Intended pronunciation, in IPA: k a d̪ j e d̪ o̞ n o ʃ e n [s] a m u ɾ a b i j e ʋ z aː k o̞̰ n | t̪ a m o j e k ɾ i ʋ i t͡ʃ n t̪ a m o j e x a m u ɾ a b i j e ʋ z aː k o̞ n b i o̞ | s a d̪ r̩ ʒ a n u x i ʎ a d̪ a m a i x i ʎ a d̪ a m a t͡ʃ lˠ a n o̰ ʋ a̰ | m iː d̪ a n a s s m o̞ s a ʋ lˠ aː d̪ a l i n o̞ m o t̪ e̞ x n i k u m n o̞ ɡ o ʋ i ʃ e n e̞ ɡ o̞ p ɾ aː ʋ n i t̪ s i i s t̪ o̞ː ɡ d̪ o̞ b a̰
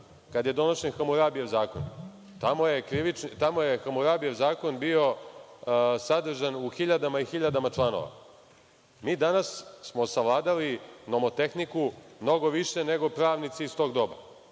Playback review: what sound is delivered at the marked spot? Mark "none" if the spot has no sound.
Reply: x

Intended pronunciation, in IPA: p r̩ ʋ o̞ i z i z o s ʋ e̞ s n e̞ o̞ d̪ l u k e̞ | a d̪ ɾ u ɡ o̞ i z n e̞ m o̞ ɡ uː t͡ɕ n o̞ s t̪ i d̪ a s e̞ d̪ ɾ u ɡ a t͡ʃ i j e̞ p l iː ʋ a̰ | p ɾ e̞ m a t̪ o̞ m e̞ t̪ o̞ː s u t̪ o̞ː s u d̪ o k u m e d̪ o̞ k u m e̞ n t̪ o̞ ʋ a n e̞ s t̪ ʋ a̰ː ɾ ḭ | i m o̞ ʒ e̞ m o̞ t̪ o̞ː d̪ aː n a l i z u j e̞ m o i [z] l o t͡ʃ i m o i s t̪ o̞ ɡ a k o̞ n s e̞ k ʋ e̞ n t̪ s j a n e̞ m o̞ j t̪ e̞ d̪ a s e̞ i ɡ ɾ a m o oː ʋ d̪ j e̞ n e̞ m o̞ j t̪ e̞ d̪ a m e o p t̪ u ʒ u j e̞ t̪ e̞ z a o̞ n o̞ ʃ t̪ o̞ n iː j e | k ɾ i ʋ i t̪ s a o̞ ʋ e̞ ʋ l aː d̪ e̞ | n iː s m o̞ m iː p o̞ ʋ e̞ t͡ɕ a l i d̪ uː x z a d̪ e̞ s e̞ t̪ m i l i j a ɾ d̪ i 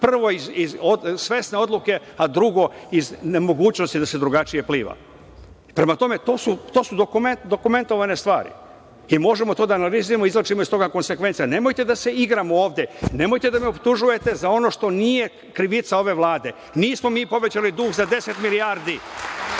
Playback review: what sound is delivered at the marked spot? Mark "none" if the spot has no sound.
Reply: z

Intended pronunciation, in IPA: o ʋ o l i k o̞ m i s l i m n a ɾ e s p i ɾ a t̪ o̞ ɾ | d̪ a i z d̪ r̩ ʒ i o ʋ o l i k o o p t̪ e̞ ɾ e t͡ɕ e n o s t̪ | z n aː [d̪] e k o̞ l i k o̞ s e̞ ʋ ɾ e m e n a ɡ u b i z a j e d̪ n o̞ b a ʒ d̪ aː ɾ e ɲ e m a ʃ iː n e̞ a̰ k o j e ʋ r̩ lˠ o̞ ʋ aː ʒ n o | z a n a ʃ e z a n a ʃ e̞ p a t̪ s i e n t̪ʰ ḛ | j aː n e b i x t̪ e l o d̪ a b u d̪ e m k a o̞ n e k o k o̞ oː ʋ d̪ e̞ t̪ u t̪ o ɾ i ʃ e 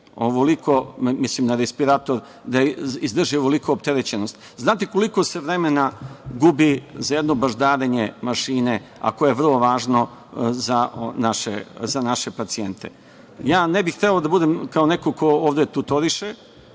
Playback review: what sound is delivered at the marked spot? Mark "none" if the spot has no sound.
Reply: t̪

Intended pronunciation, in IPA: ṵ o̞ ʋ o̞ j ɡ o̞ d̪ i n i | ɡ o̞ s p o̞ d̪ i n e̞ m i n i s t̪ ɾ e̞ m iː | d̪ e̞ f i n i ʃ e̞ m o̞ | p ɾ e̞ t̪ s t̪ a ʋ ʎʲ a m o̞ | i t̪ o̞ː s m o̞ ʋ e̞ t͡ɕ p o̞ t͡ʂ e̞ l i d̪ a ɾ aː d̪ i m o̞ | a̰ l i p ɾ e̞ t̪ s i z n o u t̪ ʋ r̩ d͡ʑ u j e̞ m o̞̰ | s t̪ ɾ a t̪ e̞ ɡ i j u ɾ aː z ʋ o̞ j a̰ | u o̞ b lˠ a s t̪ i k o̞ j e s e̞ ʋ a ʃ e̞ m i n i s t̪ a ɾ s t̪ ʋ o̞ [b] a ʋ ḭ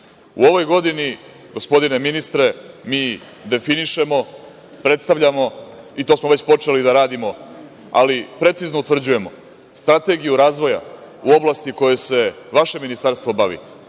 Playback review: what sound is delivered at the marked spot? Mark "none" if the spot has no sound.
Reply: b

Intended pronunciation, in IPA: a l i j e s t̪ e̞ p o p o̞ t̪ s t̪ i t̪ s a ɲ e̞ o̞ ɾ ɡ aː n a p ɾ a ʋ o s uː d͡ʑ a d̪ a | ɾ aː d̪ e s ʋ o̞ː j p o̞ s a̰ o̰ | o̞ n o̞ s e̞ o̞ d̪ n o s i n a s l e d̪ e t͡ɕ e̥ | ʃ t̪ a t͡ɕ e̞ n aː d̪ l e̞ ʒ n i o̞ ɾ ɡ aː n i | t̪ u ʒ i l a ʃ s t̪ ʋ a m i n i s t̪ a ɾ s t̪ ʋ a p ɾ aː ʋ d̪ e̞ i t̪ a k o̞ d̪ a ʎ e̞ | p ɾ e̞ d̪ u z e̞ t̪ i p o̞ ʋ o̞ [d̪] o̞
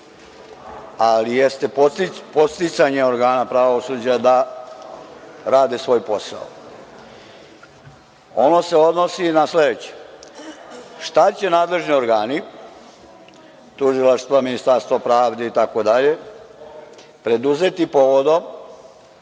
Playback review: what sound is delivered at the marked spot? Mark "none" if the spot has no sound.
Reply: d̪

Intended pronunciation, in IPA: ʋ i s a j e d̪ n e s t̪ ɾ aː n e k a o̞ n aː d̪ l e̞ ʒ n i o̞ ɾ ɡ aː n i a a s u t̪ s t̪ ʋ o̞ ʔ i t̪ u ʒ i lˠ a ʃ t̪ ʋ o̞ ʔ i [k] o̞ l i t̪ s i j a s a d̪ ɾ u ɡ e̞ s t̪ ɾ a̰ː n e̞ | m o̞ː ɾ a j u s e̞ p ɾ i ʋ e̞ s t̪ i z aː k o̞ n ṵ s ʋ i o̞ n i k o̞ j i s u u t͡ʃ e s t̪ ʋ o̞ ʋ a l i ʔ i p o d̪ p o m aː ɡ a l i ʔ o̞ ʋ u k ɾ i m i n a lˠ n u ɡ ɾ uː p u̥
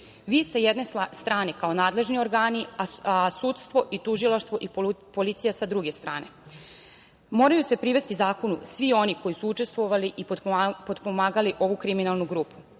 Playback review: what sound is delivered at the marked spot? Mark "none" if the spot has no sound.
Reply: p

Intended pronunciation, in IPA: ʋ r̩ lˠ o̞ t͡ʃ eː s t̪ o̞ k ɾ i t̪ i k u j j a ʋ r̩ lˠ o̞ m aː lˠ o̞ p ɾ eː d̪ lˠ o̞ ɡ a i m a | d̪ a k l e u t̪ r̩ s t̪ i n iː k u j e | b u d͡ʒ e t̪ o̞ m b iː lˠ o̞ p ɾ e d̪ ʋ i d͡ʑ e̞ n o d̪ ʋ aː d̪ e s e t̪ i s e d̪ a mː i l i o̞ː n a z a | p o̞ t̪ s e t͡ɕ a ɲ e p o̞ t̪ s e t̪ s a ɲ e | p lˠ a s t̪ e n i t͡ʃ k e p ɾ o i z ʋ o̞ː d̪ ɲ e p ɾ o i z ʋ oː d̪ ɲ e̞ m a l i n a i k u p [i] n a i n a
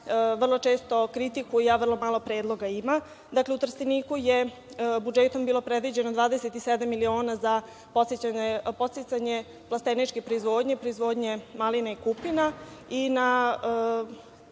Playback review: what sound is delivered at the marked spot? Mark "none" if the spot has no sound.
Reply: i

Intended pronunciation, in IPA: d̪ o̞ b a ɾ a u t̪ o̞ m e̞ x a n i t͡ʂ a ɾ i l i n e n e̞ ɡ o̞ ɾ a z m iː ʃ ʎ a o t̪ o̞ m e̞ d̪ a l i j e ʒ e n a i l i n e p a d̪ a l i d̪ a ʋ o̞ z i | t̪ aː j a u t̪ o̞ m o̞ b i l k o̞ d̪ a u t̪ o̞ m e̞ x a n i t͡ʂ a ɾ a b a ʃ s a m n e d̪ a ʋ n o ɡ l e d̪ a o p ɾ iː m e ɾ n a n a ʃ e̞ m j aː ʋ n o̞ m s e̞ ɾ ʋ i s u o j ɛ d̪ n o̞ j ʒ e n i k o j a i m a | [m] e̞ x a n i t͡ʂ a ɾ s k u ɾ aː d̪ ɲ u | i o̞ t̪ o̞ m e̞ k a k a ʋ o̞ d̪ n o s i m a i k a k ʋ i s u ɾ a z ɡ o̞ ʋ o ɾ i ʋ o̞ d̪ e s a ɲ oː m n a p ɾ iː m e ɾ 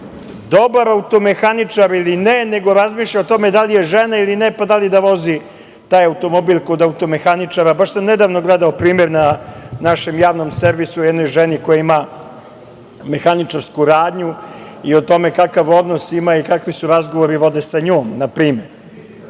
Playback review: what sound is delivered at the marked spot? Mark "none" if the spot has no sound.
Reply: m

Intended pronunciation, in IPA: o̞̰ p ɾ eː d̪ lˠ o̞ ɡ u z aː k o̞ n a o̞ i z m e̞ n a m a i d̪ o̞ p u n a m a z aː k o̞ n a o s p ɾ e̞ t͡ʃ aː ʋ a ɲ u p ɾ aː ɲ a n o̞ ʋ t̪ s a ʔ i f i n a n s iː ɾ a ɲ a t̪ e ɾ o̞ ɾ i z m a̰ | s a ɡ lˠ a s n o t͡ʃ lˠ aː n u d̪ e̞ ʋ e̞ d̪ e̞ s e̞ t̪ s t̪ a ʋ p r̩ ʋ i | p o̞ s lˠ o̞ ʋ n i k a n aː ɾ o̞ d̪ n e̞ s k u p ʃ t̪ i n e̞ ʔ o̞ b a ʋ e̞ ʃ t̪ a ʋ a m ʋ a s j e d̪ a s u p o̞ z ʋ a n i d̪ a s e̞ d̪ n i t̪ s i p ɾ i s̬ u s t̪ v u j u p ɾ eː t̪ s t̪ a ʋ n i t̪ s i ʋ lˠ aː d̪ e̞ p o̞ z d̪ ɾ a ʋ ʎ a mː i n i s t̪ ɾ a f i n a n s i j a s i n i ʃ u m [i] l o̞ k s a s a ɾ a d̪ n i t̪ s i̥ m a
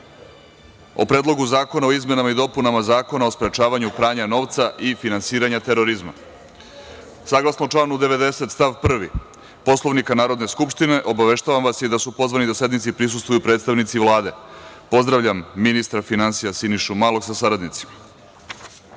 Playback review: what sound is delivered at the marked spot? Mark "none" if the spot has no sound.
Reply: a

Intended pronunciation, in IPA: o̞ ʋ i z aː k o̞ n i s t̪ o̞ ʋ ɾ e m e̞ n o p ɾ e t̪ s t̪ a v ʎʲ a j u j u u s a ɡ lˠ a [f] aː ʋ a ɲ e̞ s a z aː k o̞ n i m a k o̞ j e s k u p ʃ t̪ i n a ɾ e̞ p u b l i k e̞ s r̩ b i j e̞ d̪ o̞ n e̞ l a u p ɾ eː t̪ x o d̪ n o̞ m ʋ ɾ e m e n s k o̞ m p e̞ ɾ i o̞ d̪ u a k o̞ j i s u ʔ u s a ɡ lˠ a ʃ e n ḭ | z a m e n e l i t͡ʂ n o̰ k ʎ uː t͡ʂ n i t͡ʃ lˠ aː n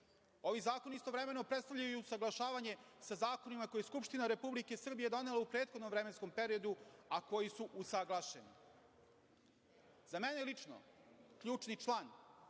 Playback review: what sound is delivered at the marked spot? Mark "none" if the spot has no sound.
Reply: ʃ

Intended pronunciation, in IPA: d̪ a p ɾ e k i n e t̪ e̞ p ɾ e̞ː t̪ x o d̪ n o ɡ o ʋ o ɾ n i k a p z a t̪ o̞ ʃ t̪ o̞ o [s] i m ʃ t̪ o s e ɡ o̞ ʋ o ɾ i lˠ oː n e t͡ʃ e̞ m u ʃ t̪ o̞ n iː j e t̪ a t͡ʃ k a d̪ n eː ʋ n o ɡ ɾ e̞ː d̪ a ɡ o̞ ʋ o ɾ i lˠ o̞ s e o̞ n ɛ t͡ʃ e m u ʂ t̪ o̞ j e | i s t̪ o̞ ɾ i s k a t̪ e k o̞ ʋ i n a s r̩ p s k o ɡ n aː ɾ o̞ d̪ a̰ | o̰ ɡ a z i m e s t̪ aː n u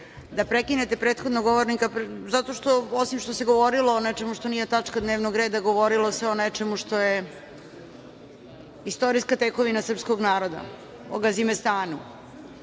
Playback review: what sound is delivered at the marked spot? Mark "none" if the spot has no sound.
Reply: s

